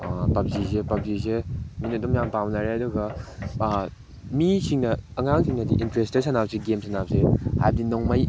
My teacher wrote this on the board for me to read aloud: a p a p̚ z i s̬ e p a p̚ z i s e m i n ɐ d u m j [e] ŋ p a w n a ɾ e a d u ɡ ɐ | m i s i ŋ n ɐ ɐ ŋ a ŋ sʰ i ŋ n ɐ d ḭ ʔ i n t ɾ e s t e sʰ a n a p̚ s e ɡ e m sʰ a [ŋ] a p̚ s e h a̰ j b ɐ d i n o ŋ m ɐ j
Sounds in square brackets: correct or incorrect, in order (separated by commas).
incorrect, incorrect